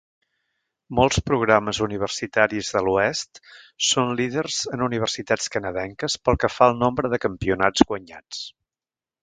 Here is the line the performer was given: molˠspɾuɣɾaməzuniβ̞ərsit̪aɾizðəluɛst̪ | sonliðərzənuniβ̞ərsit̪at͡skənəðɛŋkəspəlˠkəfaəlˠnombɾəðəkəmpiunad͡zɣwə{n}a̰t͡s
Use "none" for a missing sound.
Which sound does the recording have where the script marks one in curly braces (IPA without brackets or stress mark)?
ɲ